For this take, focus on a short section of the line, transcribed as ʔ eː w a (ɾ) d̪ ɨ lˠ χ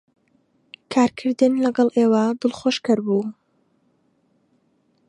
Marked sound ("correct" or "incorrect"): incorrect